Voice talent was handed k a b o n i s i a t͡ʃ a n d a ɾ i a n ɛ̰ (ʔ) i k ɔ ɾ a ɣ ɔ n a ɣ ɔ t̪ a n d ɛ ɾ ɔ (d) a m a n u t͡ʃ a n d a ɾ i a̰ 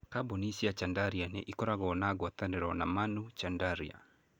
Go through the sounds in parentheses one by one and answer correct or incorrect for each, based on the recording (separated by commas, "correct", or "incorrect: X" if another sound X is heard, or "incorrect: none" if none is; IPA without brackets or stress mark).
correct, incorrect: n